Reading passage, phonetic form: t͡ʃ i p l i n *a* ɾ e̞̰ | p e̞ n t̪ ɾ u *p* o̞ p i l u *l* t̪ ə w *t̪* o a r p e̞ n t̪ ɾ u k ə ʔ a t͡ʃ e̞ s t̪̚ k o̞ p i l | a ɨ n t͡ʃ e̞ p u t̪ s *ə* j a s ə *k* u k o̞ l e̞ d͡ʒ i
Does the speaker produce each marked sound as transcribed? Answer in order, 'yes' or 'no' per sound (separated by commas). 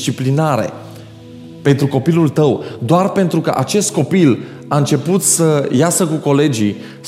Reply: yes, no, yes, no, yes, yes